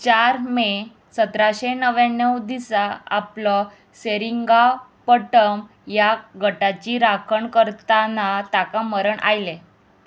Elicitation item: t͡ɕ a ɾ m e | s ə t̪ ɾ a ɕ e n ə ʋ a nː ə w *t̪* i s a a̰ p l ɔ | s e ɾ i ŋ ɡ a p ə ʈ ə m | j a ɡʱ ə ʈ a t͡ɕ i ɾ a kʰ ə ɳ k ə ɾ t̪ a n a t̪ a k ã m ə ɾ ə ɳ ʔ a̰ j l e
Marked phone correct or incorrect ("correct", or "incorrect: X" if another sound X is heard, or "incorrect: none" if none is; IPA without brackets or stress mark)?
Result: incorrect: d̪